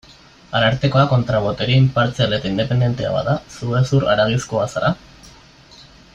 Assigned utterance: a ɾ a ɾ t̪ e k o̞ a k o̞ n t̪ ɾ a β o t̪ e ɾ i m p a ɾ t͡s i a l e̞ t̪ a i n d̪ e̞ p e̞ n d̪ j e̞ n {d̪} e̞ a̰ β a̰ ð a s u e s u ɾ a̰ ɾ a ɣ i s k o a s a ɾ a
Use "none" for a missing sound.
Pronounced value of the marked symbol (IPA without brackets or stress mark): t̪